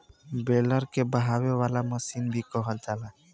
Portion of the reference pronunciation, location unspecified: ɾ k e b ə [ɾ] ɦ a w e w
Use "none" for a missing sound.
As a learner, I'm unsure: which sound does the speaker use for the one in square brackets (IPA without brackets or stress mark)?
none